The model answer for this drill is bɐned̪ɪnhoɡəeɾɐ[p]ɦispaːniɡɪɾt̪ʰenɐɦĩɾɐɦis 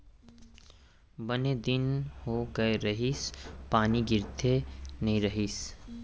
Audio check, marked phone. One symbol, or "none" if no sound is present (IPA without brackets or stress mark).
none